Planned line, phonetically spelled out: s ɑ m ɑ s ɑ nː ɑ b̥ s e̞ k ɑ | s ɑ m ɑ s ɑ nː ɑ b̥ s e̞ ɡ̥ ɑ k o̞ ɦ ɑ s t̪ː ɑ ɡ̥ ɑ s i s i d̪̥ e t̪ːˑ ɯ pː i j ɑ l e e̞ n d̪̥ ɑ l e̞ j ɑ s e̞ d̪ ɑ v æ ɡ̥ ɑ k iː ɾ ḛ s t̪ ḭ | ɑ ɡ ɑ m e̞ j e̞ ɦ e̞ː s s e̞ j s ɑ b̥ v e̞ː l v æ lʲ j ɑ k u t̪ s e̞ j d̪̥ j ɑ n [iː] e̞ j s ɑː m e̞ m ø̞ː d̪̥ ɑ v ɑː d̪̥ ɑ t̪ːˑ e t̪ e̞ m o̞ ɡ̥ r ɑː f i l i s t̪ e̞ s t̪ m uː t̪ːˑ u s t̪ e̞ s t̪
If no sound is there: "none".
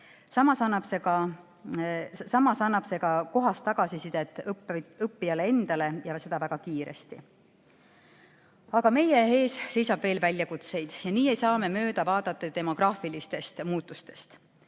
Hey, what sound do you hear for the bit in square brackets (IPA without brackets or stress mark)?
iː